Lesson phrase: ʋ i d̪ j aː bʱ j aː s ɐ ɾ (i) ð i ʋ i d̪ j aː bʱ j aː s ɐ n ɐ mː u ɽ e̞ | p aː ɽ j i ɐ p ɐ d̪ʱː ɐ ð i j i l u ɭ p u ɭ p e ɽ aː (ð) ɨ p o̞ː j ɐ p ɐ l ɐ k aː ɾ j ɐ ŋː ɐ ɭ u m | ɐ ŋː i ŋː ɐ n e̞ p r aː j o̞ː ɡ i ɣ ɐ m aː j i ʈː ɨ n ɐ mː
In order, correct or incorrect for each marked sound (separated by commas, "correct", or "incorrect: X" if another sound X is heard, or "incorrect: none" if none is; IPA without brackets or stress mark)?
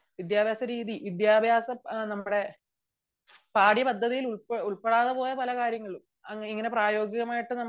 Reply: incorrect: iː, correct